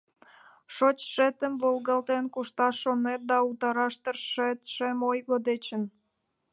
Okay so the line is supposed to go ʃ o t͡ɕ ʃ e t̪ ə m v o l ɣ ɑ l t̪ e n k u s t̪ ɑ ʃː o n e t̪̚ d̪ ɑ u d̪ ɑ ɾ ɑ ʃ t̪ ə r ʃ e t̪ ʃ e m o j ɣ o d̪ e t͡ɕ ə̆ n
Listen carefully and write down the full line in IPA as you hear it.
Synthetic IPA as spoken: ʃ o t͡ɕ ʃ e t̪ ə m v o l ɣ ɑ l t̪ e n k u ʃ t̪ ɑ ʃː o n e t̪̚ d̪ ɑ u t̪ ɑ ɾ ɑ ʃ t̪ ə r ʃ e t̪ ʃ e m o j ɣ o d̪ e t͡ɕ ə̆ n